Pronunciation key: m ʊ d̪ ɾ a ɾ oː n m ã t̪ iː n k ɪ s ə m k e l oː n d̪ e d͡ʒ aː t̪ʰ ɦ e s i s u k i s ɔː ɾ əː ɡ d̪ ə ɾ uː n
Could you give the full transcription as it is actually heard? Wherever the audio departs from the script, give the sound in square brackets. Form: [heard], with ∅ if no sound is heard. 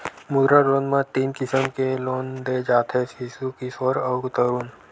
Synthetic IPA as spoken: m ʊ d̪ ɾ a ɾ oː n m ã t̪ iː n k ɪ s ə m k e l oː n d̪ e d͡ʒ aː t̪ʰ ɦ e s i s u k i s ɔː ɾ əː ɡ [t̪] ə ɾ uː n